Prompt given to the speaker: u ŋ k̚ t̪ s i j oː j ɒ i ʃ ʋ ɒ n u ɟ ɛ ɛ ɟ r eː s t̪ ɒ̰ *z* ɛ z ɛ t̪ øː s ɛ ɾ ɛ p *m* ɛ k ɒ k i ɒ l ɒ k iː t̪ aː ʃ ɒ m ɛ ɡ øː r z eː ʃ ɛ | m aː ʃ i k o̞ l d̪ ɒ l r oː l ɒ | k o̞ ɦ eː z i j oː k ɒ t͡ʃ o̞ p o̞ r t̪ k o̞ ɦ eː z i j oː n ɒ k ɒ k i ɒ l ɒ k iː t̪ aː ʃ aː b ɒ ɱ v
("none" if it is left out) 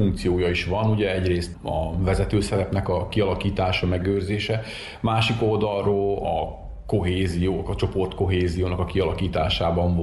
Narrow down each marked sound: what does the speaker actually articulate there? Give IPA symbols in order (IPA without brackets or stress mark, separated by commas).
v, n